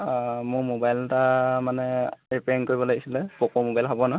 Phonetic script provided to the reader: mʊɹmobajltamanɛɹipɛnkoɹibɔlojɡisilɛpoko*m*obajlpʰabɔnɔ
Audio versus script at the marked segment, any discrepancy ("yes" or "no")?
no